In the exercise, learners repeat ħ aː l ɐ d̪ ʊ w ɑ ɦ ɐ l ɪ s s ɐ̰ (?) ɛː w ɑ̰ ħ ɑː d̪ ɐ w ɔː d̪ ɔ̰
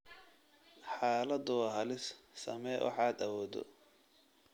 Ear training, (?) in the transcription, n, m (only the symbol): m